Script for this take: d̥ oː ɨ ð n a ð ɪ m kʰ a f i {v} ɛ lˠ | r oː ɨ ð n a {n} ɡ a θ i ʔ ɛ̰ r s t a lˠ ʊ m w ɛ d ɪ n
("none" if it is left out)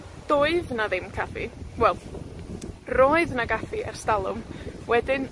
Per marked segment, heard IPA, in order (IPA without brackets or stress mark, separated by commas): w, none